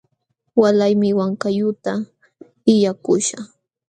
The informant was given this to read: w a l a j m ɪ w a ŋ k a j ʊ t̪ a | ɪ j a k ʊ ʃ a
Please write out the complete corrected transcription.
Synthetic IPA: w a l a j m ɪ w a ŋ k a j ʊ t̪ a | ɪ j a k ʊ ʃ a